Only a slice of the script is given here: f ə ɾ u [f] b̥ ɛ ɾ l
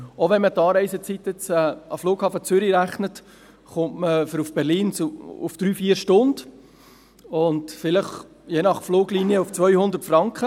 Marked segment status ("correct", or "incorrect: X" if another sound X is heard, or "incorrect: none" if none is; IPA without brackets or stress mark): correct